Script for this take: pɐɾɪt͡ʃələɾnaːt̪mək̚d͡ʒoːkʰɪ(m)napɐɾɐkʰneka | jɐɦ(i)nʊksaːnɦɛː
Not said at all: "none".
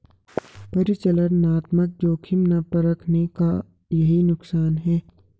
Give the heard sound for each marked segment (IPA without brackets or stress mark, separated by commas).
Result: m, i